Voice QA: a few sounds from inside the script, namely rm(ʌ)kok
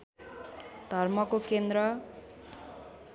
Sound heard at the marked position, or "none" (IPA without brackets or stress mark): ʌ